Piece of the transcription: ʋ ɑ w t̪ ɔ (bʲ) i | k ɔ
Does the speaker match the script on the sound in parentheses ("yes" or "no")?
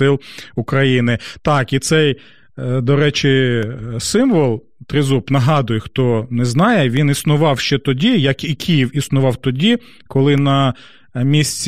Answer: no